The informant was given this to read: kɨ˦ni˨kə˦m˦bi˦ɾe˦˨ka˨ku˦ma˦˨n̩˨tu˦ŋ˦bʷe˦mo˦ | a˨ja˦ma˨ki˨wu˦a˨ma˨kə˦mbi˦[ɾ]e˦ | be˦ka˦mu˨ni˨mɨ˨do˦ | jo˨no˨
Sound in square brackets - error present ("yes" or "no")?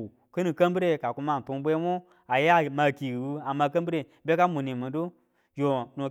no